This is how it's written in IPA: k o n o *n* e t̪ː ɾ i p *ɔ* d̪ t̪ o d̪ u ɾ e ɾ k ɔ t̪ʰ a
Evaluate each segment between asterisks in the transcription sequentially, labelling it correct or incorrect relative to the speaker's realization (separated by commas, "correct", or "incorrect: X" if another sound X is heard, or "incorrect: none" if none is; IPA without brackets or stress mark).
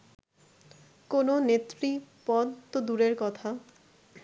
correct, correct